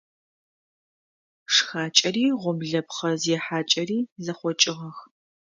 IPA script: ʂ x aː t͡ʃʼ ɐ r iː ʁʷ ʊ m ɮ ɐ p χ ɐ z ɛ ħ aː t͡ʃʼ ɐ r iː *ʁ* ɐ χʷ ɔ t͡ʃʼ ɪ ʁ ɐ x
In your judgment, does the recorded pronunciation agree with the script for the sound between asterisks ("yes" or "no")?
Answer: no